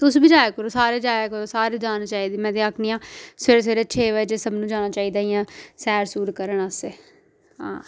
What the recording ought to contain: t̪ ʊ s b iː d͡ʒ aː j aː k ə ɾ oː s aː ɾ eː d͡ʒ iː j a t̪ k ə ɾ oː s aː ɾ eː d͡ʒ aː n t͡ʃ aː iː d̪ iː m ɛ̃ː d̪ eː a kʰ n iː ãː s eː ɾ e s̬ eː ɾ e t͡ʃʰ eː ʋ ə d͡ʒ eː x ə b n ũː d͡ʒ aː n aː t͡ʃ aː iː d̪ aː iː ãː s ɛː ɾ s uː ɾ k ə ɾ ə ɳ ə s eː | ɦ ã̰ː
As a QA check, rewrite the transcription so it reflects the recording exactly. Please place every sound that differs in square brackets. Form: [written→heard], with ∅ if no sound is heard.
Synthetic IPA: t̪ ʊ s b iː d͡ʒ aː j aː k ə ɾ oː s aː ɾ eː d͡ʒ [iː→aː] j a [t̪→∅] k ə ɾ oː s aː ɾ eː d͡ʒ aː n t͡ʃ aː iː d̪ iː m ɛ̃ː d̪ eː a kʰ n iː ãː s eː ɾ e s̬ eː ɾ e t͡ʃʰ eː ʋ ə d͡ʒ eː [x→s] ə b n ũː d͡ʒ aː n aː t͡ʃ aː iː d̪ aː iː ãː s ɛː ɾ s uː ɾ k ə ɾ ə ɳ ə s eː | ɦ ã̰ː